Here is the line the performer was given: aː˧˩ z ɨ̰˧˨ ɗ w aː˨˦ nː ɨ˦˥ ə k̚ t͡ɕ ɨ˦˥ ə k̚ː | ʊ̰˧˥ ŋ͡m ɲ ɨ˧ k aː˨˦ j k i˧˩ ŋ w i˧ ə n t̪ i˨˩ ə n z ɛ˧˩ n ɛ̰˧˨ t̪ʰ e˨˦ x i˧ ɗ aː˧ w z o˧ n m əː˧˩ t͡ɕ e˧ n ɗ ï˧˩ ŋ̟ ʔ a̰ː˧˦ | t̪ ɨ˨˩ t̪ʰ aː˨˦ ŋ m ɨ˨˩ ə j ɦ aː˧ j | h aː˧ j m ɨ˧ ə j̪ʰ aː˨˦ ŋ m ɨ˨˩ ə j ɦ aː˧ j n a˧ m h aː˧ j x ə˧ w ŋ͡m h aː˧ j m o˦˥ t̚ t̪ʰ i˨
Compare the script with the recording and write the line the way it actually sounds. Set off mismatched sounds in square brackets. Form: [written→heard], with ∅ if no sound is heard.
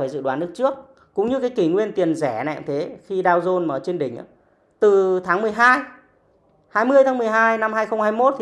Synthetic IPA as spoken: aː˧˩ z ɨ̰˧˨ ɗ w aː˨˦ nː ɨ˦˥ ə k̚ t͡ɕ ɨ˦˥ ə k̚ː | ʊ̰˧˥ ŋ͡m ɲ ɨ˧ k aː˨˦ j k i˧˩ ŋ w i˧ ə n t̪ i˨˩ ə n z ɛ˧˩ n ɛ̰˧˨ t̪ʰ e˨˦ x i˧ ɗ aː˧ w z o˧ n m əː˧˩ t͡ɕ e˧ n ɗ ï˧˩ ŋ̟ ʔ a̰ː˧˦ | t̪ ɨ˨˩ t̪ʰ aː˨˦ ŋ m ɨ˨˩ ə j ɦ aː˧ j | h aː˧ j m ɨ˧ ə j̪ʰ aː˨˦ ŋ m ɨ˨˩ ə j ɦ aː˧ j n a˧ m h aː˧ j x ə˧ w ŋ͡m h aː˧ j m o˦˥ t̚ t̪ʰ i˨